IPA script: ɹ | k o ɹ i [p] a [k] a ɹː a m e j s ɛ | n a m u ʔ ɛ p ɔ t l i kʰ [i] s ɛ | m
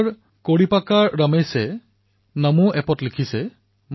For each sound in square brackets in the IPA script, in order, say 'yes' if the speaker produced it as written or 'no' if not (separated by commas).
yes, yes, yes